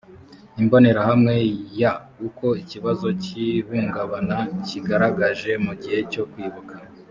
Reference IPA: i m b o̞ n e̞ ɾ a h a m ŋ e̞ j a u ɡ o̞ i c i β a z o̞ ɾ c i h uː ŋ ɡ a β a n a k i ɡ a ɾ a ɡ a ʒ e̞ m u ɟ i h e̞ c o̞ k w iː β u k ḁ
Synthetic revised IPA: i m b o̞ n e̞ ɾ a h a m ŋ e̞ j a u k o̞ i c i β a z o̞ c i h uː ŋ ɡ a β a n a c i ɡ a ɾ a ɡ a ʒ e̞ m u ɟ i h e̞ c o̞ k w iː β u k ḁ